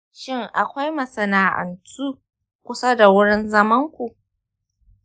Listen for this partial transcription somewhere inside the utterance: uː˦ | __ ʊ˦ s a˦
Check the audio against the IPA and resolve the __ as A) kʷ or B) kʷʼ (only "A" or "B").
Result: A